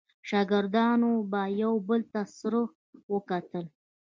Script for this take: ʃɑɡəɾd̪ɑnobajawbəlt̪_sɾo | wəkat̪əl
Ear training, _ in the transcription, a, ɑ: a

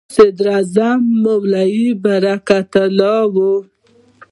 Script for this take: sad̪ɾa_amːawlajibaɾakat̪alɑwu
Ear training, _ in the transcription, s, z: z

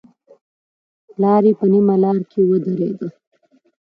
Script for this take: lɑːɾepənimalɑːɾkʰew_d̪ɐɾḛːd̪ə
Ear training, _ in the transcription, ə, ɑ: ə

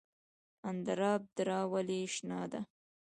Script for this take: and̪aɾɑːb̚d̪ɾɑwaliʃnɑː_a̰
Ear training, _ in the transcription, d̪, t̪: d̪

